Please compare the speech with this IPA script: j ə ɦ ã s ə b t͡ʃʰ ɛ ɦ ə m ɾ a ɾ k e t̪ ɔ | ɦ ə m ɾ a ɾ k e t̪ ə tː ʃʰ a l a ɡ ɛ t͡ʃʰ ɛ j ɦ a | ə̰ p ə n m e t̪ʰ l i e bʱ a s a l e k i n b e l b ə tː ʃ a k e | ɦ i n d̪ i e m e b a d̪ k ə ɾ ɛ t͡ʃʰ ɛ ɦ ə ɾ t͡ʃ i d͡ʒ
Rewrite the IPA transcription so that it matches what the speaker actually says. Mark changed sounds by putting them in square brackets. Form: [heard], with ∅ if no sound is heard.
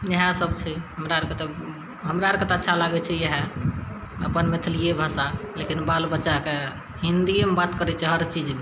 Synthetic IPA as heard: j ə ɦ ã s ə b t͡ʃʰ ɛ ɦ ə m ɾ a ɾ k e t̪ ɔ | ɦ ə m ɾ a ɾ k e t̪ ə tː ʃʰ a l a ɡ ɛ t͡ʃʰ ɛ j ɦ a | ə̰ p ə n m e t̪ʰ l i e bʱ a s a l e k i n b [a] l b ə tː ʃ a k e | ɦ i n d̪ i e m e b a [t̪] k ə ɾ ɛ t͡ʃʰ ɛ ɦ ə ɾ t͡ʃ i d͡ʒ